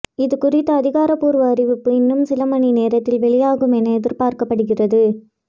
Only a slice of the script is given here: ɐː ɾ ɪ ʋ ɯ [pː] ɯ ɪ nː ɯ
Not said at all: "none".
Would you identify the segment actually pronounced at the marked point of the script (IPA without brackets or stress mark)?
pː